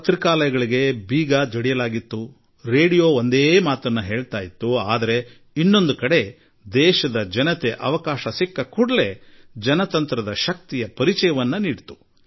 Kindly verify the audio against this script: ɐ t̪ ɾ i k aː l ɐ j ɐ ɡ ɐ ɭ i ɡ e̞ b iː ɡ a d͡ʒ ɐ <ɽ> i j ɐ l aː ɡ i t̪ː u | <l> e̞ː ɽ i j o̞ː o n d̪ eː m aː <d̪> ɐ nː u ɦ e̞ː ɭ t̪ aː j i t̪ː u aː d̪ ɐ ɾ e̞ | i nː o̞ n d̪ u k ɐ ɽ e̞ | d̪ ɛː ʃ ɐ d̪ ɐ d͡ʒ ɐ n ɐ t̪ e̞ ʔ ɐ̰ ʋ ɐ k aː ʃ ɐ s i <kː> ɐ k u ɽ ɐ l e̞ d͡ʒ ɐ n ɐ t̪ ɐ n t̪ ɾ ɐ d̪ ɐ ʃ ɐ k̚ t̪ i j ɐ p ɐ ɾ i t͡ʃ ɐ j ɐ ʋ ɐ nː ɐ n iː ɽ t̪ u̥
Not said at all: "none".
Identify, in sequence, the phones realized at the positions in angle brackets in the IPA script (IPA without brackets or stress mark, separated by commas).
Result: ɽ, ɾ, t̪, kː